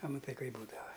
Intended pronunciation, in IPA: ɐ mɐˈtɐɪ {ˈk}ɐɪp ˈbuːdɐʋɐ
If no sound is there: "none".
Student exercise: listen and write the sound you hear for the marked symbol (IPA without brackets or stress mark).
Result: k